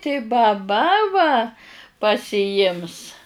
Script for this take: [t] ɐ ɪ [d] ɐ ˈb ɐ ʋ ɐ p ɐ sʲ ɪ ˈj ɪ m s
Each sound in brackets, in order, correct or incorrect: correct, incorrect

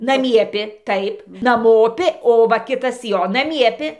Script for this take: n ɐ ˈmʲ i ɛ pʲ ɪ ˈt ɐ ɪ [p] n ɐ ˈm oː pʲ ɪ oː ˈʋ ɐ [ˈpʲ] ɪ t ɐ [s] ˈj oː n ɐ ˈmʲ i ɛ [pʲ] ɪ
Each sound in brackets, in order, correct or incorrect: correct, incorrect, correct, correct

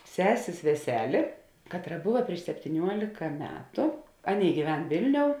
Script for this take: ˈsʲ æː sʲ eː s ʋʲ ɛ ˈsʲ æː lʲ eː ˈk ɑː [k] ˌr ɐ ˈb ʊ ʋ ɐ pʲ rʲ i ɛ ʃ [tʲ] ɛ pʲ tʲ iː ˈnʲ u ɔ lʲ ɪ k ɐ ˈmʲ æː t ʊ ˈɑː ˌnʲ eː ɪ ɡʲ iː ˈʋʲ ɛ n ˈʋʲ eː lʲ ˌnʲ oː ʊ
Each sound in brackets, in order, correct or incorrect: incorrect, incorrect

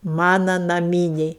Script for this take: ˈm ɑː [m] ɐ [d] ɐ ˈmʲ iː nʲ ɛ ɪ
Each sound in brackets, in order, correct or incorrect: incorrect, incorrect

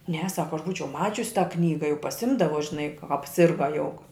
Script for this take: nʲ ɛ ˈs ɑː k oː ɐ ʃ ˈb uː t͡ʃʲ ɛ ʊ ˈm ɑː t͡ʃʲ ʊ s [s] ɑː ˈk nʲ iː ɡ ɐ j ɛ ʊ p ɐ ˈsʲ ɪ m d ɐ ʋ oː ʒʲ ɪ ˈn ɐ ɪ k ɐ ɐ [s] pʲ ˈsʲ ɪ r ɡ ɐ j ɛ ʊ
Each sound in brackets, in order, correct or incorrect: incorrect, incorrect

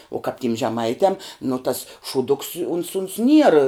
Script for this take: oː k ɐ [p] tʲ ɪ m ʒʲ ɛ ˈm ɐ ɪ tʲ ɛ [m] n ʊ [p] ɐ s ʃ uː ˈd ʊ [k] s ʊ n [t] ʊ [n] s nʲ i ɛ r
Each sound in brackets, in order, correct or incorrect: correct, correct, incorrect, correct, incorrect, correct

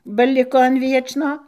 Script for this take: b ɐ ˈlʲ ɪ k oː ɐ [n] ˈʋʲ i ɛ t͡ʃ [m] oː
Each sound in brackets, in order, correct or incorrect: correct, incorrect

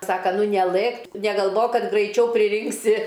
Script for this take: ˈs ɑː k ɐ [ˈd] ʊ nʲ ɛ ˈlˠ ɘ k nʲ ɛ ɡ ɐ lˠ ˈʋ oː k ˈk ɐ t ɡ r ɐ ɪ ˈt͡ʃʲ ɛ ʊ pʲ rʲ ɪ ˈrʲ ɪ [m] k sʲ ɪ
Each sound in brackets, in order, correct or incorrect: incorrect, incorrect

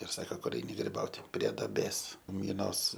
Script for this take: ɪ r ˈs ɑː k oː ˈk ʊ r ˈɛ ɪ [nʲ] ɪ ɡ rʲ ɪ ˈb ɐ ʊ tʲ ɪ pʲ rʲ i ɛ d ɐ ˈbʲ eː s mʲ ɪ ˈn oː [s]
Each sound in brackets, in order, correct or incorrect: correct, correct

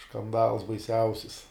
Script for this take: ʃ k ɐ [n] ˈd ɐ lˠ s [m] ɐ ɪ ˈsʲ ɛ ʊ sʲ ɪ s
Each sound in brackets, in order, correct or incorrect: correct, incorrect

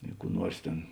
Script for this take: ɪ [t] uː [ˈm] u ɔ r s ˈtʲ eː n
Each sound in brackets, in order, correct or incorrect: incorrect, incorrect

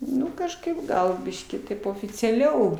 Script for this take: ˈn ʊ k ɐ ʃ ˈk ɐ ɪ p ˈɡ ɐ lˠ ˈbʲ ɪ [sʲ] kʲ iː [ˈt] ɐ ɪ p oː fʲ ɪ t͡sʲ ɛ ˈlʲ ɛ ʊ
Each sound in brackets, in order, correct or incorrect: incorrect, correct

